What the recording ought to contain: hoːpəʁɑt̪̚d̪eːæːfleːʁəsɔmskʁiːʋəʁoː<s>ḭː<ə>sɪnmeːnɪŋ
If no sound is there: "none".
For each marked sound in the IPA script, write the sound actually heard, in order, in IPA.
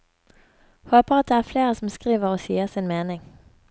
s, ə

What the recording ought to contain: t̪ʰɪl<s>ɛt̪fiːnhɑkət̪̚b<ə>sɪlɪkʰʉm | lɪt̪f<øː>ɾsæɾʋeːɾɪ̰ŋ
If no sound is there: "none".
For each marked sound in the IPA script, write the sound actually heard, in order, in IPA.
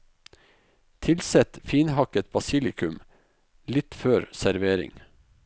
s, ɑ, øː

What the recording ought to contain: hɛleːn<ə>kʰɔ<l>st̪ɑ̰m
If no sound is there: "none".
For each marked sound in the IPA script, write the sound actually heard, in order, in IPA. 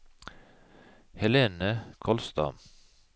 ə, l

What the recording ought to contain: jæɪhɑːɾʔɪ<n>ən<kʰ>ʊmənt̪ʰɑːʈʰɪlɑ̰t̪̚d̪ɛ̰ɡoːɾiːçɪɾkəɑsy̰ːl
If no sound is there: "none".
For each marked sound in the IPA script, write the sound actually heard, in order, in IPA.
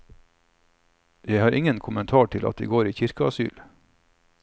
ŋ, kʰ

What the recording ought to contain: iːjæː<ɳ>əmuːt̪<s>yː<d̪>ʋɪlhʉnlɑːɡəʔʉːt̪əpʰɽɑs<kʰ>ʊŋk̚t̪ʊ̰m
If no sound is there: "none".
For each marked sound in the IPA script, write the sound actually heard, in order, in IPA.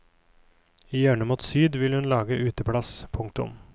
ɳ, s, d̪, pʰ

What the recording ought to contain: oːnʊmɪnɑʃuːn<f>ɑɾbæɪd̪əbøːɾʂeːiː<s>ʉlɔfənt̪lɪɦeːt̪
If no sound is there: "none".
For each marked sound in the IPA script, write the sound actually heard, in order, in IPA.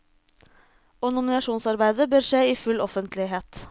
s, f

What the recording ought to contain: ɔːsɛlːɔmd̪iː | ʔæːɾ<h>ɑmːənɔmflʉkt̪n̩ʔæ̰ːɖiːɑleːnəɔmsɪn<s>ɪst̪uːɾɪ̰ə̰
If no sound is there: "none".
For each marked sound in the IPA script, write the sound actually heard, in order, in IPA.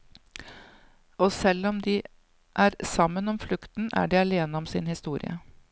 s, h

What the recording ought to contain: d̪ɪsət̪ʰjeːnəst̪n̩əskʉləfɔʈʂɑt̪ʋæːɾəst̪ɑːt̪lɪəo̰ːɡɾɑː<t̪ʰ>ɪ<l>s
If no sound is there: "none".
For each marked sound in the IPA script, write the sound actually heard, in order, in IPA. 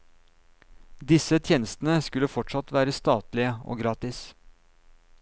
t̪, none

